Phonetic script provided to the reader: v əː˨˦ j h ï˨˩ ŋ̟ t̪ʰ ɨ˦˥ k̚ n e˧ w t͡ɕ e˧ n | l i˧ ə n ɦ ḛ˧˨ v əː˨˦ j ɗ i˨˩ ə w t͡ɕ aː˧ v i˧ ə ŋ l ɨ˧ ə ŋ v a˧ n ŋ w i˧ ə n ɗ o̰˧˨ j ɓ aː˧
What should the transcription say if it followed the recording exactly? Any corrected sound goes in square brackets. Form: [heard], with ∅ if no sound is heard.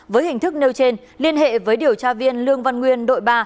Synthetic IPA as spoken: v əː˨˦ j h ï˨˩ ŋ̟ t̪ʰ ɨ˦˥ k̚ n e˧ w t͡ɕ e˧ n | l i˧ ə n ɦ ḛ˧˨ v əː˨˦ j ɗ i˨˩ ə w t͡ɕ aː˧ v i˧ ə [n] l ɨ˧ ə ŋ v a˧ n ŋ w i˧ ə n ɗ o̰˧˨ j ɓ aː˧